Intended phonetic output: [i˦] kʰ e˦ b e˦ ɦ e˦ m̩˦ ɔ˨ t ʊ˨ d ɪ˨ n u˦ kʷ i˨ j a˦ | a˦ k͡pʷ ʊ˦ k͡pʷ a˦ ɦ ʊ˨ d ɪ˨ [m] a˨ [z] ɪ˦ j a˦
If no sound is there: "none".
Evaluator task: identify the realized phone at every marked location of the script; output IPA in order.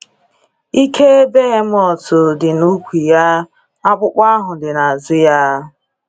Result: i˦, n, z

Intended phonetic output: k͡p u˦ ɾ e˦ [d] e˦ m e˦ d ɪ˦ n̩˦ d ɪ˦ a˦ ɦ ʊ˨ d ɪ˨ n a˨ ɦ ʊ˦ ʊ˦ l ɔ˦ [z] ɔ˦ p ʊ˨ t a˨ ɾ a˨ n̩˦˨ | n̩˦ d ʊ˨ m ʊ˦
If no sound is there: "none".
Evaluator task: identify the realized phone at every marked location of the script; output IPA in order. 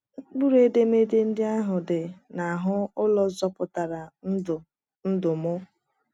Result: d, z

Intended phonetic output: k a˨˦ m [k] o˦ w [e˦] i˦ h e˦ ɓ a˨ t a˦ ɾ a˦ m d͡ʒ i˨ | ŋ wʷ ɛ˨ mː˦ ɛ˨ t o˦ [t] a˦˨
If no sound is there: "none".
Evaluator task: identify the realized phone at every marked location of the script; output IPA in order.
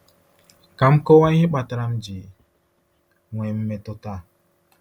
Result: k, a˦, t

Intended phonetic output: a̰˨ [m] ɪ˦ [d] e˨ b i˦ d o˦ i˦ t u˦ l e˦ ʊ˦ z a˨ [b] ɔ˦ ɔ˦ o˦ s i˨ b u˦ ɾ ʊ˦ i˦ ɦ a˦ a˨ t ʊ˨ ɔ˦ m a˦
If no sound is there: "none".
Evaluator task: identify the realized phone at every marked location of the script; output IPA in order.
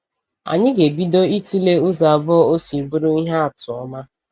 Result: ɲ, ɡ, b

